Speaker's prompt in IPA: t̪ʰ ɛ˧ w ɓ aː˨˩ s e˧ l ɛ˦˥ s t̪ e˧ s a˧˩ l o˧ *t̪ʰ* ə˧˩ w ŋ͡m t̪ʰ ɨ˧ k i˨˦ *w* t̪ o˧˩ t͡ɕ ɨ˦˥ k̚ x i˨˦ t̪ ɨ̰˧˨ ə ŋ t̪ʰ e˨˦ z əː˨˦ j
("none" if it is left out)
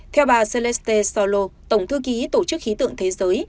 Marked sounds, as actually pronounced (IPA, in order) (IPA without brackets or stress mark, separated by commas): t̪, none